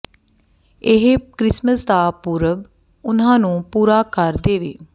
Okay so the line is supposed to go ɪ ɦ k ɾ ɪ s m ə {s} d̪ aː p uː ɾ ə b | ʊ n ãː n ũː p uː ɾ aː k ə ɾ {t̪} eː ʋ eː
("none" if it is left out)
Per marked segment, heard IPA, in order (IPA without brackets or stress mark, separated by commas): s, d̪